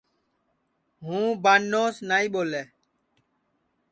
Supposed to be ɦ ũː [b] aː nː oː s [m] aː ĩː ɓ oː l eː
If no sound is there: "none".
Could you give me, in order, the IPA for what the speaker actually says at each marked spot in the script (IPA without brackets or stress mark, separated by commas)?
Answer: b, n